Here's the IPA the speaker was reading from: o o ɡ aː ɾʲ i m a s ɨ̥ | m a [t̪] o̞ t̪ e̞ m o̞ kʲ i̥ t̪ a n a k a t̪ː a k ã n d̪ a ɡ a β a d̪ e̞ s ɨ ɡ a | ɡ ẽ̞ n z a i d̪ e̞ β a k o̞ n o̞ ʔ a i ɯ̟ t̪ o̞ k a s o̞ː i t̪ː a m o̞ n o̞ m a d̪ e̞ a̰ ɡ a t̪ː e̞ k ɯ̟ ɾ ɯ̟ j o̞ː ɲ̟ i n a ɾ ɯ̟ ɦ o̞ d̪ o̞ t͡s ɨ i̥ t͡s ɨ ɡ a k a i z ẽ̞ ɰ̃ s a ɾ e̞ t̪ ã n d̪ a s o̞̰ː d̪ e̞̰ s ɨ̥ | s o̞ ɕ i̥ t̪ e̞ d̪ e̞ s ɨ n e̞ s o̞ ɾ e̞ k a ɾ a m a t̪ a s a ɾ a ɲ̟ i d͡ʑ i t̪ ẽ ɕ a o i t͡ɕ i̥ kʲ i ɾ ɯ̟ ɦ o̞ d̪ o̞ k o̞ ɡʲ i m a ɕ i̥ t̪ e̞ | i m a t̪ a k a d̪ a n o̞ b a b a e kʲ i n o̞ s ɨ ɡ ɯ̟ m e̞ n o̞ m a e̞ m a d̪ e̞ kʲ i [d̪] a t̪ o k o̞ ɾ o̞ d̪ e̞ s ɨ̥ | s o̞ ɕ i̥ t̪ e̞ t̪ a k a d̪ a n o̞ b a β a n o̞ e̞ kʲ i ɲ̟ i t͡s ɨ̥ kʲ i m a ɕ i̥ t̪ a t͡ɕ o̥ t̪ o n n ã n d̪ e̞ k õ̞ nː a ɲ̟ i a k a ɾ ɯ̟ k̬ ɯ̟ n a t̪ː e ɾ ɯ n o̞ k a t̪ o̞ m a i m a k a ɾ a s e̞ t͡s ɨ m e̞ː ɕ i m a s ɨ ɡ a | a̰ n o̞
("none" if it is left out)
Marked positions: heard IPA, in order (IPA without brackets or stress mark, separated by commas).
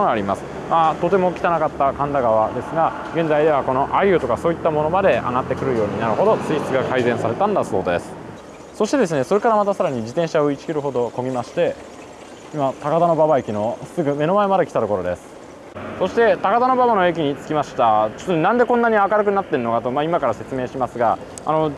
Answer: t̪, t̪